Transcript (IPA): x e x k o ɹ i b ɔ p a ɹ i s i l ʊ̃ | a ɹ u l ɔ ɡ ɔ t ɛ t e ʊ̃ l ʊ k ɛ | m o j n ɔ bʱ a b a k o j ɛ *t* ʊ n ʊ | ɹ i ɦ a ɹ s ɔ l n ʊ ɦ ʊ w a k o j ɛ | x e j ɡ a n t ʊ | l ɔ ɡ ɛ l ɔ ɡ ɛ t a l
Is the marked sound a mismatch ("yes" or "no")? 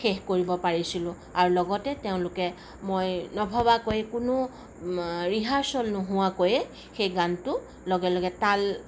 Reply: yes